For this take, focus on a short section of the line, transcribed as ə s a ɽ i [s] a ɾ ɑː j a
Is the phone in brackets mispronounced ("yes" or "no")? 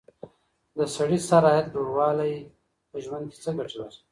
no